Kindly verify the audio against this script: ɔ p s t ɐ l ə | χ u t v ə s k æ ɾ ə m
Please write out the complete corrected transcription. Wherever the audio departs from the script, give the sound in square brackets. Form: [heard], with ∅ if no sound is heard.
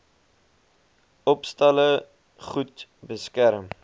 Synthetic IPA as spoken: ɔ p s t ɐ l ə | χ u t [b] ə s k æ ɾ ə m